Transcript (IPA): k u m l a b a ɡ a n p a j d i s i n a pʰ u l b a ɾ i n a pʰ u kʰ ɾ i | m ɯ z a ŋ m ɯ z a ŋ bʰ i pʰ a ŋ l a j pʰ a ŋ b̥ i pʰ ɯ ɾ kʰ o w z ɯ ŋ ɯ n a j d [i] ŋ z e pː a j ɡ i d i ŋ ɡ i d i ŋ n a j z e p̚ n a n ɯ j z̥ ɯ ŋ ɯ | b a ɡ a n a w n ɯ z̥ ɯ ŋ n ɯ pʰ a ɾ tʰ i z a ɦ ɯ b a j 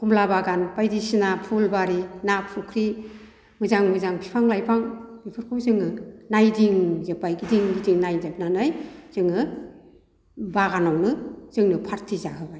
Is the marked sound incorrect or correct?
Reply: correct